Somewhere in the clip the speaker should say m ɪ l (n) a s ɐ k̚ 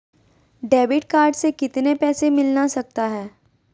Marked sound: correct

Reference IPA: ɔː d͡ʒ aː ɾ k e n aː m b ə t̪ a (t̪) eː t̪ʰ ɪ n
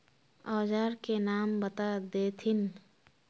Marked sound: incorrect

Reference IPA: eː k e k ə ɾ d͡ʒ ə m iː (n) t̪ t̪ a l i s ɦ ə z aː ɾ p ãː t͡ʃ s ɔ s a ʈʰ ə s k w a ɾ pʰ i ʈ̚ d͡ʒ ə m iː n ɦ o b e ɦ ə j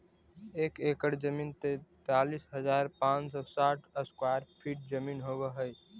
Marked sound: correct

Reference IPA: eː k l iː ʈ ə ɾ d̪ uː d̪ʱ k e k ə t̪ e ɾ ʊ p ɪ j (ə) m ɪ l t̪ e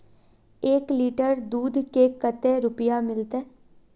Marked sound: incorrect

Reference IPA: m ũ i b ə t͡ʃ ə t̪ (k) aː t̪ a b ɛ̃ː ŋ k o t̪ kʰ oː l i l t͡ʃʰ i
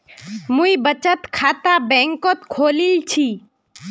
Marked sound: incorrect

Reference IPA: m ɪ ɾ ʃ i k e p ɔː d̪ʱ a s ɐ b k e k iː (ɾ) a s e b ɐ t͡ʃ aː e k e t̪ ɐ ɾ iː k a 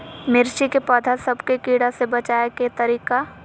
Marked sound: incorrect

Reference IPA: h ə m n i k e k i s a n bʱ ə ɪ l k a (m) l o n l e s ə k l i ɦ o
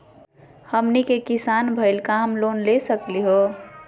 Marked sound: correct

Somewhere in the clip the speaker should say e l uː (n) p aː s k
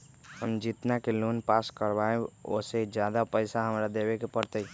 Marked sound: correct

